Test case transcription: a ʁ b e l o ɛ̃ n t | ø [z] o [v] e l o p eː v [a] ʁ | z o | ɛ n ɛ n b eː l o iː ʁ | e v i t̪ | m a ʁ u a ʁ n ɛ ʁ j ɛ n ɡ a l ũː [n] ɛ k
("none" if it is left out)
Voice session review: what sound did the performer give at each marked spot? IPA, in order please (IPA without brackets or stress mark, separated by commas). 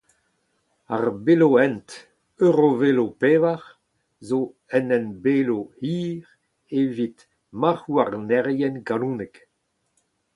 ʁ, v, a, n